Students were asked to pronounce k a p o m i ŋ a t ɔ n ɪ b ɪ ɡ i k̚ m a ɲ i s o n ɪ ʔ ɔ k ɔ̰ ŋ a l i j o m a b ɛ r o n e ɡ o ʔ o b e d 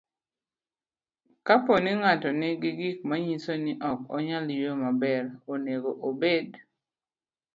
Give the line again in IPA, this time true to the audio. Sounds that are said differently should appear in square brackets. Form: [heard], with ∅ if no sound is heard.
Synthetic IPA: k a p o [n] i ŋ a t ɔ n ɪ [ɡ] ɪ ɡ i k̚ m a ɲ i s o n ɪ ʔ ɔ k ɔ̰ [ɲ] a l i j o m a b ɛ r o n e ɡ o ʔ o b e d